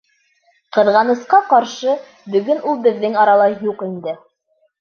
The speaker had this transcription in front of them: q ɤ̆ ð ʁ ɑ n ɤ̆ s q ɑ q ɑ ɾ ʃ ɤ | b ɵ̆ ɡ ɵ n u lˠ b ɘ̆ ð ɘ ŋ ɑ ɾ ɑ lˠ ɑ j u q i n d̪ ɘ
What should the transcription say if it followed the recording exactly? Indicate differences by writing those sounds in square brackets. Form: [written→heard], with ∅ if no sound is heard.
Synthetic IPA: q ɤ̆ ð ʁ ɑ n ɤ̆ s q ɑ q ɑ ɾ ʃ ɤ | b ɵ̆ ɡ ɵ n u lˠ b ɘ̆ [ð→ðː] ɘ ŋ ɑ ɾ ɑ lˠ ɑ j u q i n d̪ ɘ

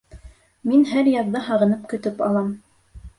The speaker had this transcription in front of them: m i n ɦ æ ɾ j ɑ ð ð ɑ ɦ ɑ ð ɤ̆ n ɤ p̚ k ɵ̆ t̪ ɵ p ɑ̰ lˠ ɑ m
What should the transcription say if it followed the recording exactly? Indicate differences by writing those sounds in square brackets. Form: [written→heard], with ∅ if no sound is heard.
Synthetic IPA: m i n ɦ æ ɾ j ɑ ð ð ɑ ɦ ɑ [ð→ʁ] ɤ̆ n ɤ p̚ k ɵ̆ t̪ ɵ p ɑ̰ lˠ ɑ m

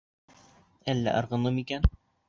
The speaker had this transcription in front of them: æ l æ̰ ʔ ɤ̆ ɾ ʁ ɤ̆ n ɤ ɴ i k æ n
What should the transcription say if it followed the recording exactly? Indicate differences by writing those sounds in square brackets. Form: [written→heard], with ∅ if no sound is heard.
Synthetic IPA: æ [l→lː] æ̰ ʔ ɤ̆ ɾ ʁ ɤ̆ n ɤ [ɴ→m] i k æ n

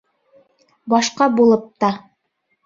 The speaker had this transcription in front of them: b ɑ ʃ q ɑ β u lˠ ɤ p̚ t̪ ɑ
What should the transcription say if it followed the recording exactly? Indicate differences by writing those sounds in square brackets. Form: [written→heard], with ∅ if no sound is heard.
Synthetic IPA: b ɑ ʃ q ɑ [β→b] u lˠ ɤ p̚ t̪ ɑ

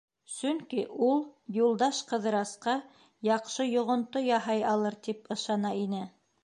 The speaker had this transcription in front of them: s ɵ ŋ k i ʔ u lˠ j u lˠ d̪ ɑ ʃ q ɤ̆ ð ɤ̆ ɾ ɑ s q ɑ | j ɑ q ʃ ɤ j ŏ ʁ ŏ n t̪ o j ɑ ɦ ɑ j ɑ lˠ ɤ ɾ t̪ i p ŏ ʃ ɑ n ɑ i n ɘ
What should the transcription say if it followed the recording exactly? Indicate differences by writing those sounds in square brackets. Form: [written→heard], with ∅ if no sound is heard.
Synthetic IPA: s ɵ ŋ k i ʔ u lˠ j u lˠ d̪ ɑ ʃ q ɤ̆ ð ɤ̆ ɾ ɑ s q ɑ | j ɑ q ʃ ɤ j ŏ ʁ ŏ n t̪ o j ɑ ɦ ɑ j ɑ lˠ ɤ ɾ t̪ i p [ŏ→ɤ̆] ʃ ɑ n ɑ i n ɘ

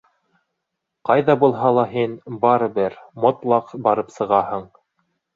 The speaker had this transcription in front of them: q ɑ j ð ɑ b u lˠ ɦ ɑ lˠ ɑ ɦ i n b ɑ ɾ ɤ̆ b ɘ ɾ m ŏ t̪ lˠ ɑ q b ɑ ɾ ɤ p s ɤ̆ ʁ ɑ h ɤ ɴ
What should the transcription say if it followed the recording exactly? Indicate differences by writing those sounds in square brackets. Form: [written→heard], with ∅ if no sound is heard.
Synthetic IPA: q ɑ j ð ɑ b u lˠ ɦ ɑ lˠ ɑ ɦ i n b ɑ ɾ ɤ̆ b ɘ ɾ m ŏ t̪ lˠ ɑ q b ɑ ɾ ɤ p s ɤ̆ ʁ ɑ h ɤ ɴ

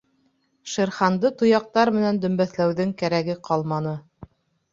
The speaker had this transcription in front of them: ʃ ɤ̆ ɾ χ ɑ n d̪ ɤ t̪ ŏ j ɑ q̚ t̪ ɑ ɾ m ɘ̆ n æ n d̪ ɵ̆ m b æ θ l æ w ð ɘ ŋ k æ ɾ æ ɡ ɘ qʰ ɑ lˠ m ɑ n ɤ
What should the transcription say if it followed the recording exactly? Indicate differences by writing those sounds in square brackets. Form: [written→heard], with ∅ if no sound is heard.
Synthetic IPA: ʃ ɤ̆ ɾ χ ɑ n d̪ ɤ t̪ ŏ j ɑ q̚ t̪ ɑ ɾ m ɘ̆ n æ n d̪ ɵ̆ m b æ θ l æ w ð ɘ ŋ k æ ɾ æ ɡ ɘ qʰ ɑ lˠ m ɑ n ɤ

